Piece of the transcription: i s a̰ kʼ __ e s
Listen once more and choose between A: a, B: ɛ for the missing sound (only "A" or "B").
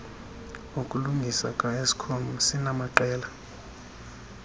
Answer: A